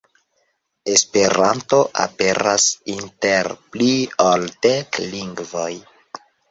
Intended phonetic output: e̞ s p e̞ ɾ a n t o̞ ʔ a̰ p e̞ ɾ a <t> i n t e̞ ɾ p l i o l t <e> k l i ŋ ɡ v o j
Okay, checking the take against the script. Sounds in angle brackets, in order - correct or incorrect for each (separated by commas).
incorrect, correct